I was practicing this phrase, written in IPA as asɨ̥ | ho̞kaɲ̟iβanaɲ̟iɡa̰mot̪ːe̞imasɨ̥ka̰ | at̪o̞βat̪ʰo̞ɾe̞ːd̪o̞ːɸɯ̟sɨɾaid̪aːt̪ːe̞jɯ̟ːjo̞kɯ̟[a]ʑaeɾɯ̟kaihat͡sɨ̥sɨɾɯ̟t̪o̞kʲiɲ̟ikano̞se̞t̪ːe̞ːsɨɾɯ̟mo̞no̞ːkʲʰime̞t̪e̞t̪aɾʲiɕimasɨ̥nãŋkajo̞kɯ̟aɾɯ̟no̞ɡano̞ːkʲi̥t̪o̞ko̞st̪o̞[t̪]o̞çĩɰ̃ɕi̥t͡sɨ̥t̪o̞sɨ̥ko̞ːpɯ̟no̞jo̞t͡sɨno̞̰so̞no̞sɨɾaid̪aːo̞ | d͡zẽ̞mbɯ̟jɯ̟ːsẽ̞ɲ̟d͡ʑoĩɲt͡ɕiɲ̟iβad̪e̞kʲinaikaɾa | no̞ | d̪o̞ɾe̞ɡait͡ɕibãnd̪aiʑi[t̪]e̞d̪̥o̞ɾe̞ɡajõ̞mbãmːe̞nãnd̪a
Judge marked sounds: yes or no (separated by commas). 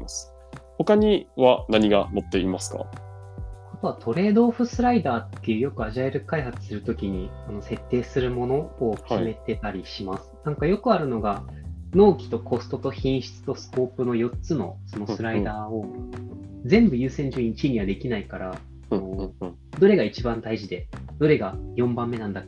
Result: yes, yes, no